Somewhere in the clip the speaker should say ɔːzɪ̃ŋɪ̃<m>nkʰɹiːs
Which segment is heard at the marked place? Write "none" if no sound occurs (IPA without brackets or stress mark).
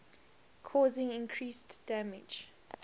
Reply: none